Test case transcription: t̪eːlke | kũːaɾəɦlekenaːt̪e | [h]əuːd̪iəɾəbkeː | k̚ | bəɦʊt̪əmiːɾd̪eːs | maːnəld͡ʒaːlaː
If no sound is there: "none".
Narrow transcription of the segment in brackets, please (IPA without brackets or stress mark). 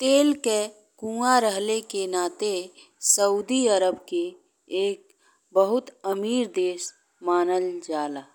s